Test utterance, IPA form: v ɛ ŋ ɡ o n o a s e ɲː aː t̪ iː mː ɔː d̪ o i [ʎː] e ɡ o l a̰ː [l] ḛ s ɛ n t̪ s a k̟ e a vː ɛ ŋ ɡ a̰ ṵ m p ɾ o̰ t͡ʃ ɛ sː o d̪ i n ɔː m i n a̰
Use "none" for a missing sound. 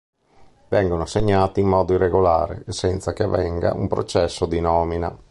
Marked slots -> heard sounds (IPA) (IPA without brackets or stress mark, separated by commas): rː, ɾ